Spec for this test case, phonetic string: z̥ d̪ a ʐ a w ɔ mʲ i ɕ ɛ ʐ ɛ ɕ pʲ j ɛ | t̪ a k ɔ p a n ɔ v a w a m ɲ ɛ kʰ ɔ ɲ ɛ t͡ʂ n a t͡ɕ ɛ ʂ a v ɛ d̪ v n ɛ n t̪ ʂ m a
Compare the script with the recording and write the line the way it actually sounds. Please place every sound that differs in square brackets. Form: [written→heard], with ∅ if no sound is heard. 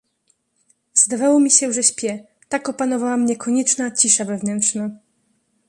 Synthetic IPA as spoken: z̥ d̪ a [ʐ→v] a w ɔ mʲ i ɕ ɛ ʐ ɛ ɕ pʲ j ɛ | t̪ a k ɔ p a n ɔ v a w a m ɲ ɛ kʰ ɔ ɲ ɛ t͡ʂ n a t͡ɕ [ɛ→i] ʂ a v ɛ [d̪→∅] v n ɛ n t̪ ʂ [m→n] a